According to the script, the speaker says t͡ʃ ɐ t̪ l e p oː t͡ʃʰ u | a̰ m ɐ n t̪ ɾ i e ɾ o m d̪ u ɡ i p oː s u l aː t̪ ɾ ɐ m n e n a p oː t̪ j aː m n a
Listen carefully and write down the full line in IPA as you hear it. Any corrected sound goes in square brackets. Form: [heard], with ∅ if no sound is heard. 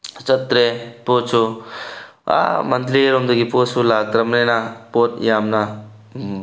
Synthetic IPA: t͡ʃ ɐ t̪ [ɾ] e p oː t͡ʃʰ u | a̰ m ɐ n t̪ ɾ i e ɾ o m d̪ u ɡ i p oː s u l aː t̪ ɾ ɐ m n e n a p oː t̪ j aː m n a